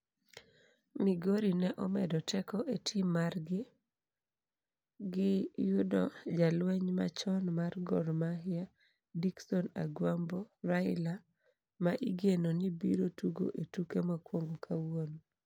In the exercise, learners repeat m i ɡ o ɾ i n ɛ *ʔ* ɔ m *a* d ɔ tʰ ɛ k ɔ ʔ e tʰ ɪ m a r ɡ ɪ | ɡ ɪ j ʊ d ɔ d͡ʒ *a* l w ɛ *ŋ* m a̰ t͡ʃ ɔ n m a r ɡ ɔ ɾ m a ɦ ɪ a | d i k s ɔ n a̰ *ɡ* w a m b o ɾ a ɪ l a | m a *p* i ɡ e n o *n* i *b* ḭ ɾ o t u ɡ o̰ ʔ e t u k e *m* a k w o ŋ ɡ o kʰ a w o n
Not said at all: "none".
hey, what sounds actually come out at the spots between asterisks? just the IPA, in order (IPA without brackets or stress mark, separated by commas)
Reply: ʔ, ɛ, a, ɲ, ɡ, ʔ, n, b, m